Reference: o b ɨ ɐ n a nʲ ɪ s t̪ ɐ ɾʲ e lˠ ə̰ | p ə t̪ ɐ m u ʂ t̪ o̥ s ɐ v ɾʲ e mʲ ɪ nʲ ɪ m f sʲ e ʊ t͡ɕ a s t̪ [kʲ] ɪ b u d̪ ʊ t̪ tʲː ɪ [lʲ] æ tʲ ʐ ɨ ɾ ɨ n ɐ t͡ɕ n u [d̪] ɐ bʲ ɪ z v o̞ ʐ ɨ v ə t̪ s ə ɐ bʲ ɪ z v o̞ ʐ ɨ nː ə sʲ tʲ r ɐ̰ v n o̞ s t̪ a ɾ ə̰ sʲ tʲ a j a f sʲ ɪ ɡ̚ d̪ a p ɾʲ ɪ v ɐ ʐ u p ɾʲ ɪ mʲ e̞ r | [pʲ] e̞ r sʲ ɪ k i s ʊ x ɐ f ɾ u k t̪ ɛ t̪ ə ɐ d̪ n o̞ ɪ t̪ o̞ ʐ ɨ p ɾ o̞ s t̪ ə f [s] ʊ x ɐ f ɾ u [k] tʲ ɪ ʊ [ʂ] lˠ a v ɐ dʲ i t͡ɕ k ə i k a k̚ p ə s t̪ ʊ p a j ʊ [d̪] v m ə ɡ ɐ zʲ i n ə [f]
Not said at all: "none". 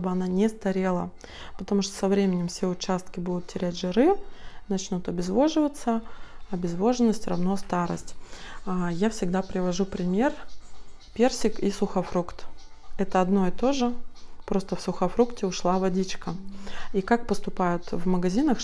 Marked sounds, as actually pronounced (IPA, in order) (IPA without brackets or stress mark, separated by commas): kʲ, ɾʲ, t̪, pʲ, s, k, ʂ, t̪, x